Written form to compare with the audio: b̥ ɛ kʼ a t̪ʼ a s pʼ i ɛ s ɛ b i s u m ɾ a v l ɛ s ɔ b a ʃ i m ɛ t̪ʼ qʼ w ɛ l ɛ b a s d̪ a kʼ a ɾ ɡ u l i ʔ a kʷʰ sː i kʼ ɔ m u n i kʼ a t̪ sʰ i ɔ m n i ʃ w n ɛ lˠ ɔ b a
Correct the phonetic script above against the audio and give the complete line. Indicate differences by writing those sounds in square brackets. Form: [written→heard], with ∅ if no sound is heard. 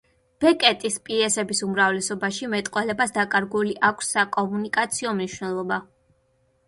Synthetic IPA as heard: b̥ ɛ kʼ [a→ɛ] t̪ʼ [a→i] s pʼ i ɛ s ɛ b i s u m ɾ a v l ɛ s ɔ b a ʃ i m ɛ t̪ʼ qʼ w ɛ l ɛ b a s d̪ a kʼ a ɾ ɡ u l i ʔ a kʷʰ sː [i→a] kʼ ɔ m u n i kʼ a t̪ sʰ i ɔ m n i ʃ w n ɛ lˠ ɔ b a